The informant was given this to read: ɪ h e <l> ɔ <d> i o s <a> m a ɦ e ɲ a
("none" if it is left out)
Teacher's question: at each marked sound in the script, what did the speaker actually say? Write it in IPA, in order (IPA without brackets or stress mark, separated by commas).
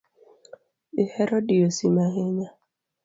ɾ, d, i